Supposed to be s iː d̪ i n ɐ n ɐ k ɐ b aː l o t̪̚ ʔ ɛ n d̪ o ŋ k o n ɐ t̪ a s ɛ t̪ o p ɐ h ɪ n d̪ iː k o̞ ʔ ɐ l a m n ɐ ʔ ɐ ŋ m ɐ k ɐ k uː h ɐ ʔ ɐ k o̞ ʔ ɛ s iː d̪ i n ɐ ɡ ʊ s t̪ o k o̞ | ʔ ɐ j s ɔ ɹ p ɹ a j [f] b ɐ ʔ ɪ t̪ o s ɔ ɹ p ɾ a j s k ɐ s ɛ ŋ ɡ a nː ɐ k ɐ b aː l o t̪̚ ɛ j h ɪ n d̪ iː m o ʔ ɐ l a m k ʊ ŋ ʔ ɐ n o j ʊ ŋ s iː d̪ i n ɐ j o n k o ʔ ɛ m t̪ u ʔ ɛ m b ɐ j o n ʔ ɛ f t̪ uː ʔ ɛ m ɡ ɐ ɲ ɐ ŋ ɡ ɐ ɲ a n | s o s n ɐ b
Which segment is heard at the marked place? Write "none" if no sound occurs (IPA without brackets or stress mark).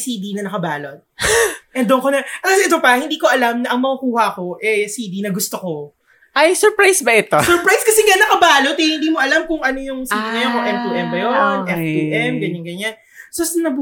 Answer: s